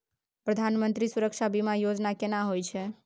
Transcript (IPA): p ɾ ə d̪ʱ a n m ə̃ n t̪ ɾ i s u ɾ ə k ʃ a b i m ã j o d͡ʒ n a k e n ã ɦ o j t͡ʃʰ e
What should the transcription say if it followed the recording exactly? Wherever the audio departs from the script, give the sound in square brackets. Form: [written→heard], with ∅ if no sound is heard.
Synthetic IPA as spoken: p ɾ ə d̪ʱ a n m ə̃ n t̪ ɾ i s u ɾ ə k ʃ a b i m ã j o d͡ʒ n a k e n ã ɦ o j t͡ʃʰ e